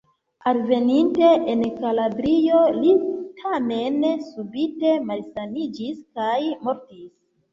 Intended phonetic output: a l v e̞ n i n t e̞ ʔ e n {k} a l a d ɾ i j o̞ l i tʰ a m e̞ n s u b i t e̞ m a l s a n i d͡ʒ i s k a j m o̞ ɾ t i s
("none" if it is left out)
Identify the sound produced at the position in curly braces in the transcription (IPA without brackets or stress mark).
k